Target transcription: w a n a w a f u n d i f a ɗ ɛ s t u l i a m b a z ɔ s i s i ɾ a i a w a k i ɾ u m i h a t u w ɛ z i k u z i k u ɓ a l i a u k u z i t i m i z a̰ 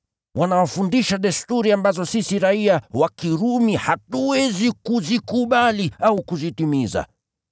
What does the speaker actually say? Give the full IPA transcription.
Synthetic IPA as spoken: w a n a w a f u n d i ʃ a ɗ ɛ s t u ɾ i a m b a z ɔ s i s i ɾ a i a w a k i ɾ u m i h a t u w ɛ z i k u z i k u ɓ a l i a u k u z i t i m i z a̰